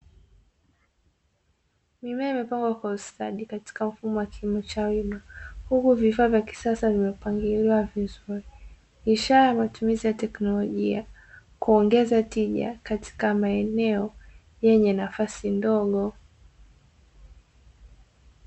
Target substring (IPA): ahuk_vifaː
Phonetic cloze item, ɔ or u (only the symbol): u